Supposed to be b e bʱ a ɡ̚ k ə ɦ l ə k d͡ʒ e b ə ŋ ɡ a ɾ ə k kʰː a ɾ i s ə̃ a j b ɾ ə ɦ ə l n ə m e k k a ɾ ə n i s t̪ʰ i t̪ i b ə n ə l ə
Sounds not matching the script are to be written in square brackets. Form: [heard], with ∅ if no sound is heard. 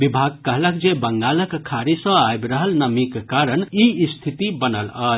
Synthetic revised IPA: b [i] bʱ a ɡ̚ k ə ɦ l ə k d͡ʒ e b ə ŋ ɡ a [l] ə k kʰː a ɾ i s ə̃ a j b ɾ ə ɦ ə l n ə m [i] k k a ɾ ə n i s t̪ʰ i t̪ i b ə n ə l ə